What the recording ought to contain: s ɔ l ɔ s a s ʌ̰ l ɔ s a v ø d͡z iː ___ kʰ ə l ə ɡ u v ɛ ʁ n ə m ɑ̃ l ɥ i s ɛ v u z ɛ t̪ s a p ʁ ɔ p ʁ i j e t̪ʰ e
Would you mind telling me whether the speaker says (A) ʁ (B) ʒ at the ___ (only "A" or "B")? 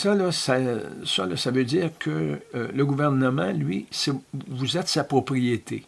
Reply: A